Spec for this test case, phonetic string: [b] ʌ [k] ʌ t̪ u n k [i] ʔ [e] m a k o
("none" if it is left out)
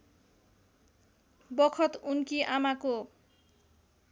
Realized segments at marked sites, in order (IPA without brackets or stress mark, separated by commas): b, kʰ, i, a